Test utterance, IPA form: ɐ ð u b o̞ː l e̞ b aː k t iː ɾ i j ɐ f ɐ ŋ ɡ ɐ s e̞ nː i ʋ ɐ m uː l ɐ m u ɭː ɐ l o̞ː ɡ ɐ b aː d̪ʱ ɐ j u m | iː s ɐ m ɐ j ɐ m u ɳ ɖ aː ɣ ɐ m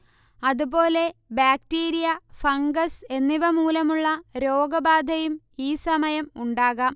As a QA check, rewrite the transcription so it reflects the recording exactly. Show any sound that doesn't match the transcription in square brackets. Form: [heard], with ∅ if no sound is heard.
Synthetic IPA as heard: ɐ ð u b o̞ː l e̞ b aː k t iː ɾ i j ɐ f ɐ ŋ ɡ ɐ s e̞ nː i ʋ ɐ m uː l ɐ m u ɭː ɐ [ɾ] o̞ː ɡ ɐ b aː d̪ʱ ɐ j u m | iː s ɐ m ɐ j ɐ m u ɳ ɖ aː ɣ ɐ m